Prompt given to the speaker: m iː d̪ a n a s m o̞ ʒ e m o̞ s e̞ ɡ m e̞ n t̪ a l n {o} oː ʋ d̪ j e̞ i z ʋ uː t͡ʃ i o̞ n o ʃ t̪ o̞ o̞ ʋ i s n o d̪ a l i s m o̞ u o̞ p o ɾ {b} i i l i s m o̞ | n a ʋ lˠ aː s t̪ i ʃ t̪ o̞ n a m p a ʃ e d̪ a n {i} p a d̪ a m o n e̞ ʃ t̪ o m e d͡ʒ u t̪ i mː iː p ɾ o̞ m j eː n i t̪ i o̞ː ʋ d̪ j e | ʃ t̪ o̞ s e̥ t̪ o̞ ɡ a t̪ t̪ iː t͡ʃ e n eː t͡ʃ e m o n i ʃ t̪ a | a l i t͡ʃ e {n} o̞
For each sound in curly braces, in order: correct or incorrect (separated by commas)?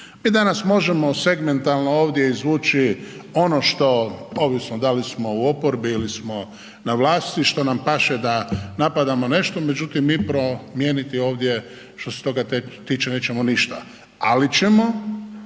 correct, correct, incorrect, incorrect